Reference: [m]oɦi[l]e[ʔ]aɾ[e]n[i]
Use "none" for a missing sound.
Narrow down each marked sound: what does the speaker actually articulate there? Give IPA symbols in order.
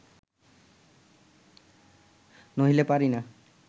n, l, p, i, a

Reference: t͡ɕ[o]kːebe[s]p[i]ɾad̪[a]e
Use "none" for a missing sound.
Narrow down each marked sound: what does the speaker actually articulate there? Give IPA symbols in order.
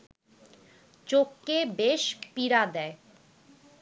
o, ʃ, i, ɛ

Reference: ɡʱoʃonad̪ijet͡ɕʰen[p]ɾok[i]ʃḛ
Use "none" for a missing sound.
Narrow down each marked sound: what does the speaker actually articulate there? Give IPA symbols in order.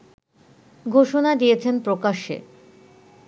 p, a

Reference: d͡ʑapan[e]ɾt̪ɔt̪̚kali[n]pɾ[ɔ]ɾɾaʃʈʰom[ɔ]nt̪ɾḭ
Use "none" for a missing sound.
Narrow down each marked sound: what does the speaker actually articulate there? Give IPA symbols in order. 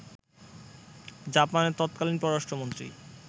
e, n, ɔ, o

